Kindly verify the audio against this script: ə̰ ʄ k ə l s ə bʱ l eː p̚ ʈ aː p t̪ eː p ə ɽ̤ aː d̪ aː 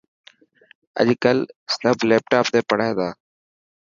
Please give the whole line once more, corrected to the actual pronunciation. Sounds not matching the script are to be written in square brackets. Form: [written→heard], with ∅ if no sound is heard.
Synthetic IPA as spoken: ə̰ ʄ k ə l s ə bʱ l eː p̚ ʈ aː p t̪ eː p ə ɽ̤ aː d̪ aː